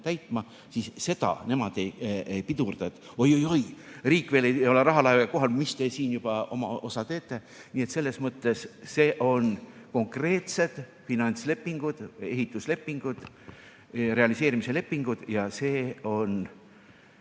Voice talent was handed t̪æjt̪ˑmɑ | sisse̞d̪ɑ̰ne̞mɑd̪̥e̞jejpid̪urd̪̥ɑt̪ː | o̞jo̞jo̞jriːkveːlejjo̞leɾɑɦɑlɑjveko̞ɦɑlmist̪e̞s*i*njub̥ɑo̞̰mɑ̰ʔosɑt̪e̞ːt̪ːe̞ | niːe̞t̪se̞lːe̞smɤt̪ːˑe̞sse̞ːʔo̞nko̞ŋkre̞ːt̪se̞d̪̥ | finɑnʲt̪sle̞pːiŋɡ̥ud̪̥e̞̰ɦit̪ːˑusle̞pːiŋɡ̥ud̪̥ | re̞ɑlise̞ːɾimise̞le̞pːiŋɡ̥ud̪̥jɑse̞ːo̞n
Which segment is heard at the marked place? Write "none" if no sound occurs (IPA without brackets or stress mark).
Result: iː